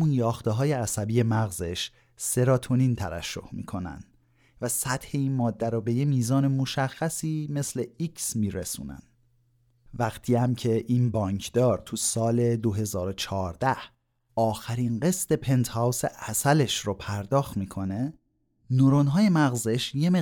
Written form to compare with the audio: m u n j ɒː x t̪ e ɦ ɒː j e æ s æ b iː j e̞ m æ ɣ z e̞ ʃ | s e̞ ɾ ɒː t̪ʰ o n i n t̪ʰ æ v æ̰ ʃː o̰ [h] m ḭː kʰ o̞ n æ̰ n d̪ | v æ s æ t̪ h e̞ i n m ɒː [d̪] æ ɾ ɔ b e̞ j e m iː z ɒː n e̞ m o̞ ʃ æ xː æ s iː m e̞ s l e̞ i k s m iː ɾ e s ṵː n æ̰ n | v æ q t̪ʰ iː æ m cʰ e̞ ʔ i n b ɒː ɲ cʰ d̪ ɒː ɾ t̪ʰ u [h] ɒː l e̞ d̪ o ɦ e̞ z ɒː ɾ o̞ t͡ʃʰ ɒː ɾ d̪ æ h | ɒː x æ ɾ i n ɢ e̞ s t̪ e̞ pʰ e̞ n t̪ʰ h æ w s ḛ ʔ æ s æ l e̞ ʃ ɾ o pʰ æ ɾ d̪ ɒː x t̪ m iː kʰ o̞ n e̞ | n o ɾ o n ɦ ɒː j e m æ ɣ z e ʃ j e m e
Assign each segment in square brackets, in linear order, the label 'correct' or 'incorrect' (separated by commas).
correct, incorrect, incorrect